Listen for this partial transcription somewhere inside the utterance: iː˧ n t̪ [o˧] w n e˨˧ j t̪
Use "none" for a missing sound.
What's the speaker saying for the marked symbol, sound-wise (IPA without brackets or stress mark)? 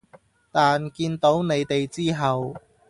o˨˥